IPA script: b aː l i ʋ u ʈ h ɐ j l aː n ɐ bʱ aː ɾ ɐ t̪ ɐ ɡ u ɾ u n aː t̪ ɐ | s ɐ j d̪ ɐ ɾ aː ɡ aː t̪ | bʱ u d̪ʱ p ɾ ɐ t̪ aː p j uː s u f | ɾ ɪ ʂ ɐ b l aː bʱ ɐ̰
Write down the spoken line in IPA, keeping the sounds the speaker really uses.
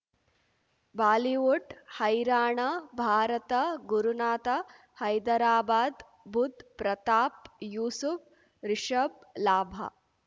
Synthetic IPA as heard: b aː l i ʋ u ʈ h ɐ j ɾ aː ɳ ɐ bʱ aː ɾ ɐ t̪ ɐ ɡ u ɾ u n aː t̪ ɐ | h ɐ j d̪ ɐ ɾ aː b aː d̪ | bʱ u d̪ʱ p ɾ ɐ t̪ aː p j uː s u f | ɾ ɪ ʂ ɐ b l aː bʱ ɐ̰